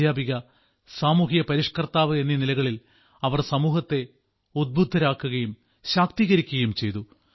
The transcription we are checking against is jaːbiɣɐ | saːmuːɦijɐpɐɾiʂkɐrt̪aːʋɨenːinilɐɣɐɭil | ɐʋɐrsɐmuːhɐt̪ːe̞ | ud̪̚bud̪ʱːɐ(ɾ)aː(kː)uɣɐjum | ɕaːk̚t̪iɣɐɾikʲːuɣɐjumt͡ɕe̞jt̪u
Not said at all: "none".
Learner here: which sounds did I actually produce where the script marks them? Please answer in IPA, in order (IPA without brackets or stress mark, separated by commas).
ɾ, kː